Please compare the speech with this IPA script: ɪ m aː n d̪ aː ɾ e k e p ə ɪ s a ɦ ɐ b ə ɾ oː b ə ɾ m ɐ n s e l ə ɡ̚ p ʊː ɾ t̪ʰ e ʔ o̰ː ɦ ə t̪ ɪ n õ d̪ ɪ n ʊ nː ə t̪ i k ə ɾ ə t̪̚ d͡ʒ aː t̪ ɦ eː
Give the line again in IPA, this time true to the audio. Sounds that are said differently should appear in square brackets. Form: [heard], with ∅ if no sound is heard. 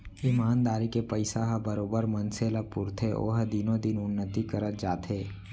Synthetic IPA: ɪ m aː n d̪ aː ɾ [i] k e p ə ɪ s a ɦ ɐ b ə ɾ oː b ə ɾ m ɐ n s e l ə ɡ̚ p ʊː ɾ t̪ʰ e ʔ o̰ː ɦ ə [d̪] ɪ n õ d̪ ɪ n ʊ nː ə t̪ i k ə ɾ ə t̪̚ d͡ʒ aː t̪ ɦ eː